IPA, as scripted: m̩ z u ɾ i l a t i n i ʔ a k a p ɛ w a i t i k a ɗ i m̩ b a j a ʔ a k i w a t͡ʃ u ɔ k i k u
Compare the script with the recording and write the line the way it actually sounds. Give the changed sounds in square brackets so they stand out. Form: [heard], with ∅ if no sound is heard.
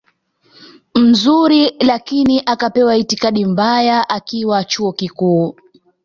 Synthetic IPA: m̩ z u ɾ i l a [k] i n i ʔ a k a p ɛ w a i t i k a ɗ i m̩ b a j a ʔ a k i w a t͡ʃ u ɔ k i k [uː]